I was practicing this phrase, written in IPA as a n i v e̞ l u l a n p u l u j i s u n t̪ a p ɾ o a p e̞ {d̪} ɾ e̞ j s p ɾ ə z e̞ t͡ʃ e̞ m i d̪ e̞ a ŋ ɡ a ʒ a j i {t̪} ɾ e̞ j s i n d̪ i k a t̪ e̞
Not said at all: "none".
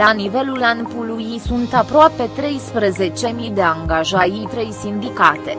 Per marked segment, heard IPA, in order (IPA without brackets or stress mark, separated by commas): t̪, t̪